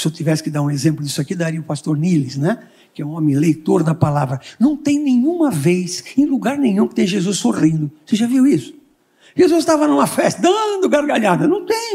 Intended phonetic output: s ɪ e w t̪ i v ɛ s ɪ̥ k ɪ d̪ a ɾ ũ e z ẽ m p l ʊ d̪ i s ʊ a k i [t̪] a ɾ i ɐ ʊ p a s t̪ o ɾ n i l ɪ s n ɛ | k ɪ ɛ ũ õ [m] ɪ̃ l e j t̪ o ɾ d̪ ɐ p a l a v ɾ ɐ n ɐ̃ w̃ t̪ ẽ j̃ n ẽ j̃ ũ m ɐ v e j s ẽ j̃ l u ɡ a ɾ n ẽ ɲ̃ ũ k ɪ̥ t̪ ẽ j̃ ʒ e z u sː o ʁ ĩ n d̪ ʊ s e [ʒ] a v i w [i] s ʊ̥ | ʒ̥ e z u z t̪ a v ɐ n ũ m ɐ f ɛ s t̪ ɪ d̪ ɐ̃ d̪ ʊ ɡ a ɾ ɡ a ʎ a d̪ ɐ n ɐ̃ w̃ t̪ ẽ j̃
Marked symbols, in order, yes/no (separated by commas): no, yes, yes, yes